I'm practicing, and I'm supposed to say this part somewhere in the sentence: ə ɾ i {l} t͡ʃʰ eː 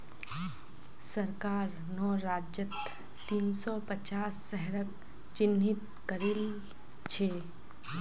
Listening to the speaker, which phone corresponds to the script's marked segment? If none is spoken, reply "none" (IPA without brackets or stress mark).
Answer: l